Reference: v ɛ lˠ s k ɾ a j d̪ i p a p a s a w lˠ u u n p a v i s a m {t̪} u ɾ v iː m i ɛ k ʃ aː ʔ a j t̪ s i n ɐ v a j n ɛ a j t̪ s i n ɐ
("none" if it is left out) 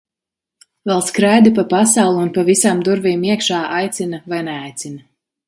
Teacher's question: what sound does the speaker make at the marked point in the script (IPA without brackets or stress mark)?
d̪